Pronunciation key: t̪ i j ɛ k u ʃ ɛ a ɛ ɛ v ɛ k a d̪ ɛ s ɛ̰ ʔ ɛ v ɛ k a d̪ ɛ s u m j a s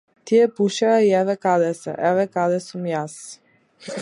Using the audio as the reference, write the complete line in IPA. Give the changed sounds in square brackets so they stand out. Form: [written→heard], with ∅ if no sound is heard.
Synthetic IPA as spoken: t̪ i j ɛ [k→p] u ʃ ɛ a [ɛ→i] ɛ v ɛ k a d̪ ɛ s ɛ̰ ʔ ɛ v ɛ k a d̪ ɛ s u m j a s